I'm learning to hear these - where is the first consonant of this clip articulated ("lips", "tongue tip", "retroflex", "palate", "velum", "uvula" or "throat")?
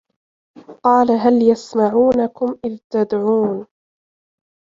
uvula